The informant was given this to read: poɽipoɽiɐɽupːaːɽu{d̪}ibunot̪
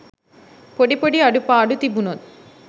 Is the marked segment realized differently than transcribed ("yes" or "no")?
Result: yes